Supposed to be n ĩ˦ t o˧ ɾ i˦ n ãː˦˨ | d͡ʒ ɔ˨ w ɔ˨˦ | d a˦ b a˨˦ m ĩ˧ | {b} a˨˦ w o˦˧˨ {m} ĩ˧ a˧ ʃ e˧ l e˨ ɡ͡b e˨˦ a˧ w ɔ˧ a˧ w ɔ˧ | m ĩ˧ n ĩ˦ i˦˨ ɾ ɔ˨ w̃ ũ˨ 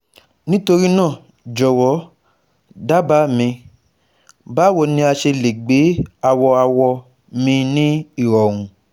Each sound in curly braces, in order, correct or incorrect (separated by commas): correct, incorrect